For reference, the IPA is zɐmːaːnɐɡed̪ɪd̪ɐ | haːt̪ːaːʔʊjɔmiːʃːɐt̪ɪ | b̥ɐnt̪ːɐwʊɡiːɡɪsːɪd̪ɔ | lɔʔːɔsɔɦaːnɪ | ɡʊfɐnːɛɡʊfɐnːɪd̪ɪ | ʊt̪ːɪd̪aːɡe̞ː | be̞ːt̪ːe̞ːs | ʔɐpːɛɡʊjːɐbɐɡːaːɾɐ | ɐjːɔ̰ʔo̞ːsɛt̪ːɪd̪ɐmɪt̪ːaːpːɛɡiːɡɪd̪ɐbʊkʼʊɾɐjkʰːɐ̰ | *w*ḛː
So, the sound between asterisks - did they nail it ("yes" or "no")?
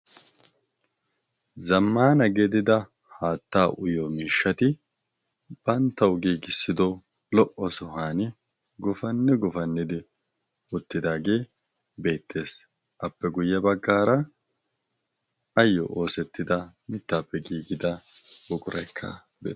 no